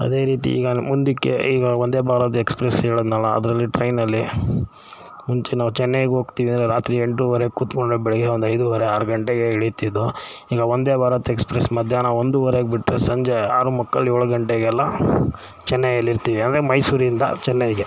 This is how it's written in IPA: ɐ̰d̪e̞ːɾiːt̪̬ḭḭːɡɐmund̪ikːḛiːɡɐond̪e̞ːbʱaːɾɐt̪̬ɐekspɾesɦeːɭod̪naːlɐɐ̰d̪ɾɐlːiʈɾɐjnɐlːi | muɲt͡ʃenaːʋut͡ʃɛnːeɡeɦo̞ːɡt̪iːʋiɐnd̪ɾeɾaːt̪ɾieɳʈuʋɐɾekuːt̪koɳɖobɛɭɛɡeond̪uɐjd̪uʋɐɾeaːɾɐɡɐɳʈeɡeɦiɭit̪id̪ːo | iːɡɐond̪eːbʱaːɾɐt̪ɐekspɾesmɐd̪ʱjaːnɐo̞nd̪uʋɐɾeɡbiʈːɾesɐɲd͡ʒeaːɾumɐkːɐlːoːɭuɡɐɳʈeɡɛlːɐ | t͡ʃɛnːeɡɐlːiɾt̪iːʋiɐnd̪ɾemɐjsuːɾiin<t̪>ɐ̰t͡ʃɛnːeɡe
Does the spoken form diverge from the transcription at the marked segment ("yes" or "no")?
yes